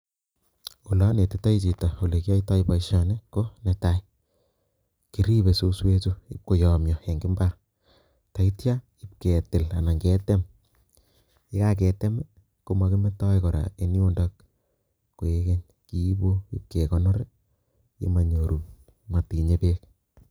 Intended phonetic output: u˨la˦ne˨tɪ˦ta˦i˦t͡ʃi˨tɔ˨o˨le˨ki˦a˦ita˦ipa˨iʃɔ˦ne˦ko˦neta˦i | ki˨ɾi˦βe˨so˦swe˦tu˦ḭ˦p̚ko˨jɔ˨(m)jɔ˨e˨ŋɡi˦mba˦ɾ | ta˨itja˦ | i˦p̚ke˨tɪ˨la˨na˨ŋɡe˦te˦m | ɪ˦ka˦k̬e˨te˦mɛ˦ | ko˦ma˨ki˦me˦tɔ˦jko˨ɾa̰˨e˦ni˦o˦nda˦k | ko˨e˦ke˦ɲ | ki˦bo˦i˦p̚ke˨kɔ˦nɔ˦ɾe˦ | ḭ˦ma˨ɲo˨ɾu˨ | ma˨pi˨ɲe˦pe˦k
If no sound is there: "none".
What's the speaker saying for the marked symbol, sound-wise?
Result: m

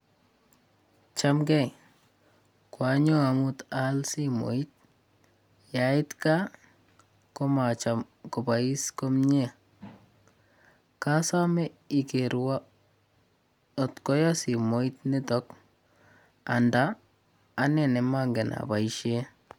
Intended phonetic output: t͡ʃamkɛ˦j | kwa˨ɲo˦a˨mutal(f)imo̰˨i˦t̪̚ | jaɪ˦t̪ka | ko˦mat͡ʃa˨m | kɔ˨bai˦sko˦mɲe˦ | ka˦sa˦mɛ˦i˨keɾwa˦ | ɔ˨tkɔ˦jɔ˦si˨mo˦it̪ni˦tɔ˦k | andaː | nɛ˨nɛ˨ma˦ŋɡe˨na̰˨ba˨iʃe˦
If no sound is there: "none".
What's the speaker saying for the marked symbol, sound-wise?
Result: s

